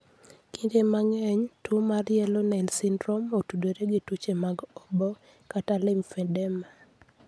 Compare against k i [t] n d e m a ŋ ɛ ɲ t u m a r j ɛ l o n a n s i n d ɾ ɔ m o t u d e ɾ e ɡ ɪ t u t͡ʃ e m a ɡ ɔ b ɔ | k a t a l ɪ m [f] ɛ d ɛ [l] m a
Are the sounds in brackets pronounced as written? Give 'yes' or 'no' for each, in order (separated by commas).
no, yes, no